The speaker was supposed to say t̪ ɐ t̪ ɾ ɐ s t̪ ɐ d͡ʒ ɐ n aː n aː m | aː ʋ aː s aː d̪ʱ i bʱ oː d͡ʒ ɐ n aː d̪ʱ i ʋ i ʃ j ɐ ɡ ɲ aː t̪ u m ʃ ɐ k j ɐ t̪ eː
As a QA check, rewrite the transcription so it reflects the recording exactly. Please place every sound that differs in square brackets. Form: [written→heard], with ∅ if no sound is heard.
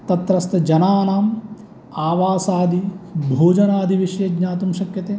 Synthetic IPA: t̪ ɐ t̪ ɾ ɐ s t̪ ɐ d͡ʒ ɐ n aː n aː m | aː ʋ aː s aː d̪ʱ i bʱ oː d͡ʒ ɐ n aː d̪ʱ i ʋ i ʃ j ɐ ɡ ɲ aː t̪ u m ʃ ɐ k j ɐ t̪ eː